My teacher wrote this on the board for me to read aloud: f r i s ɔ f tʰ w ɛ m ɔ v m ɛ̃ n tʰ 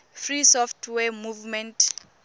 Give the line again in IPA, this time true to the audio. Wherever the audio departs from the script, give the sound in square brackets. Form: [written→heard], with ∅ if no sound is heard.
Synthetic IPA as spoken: f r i s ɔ f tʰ w ɛ m [ɔ→u] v m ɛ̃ n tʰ